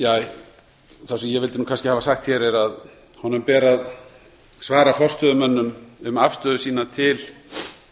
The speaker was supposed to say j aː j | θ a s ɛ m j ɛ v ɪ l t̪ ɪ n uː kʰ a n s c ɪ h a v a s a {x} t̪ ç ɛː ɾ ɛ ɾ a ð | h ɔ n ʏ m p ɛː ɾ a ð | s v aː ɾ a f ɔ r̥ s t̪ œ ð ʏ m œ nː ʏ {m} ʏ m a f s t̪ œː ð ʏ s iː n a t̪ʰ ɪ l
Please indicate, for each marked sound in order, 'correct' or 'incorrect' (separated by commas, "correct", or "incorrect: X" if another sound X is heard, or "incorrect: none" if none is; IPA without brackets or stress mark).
correct, correct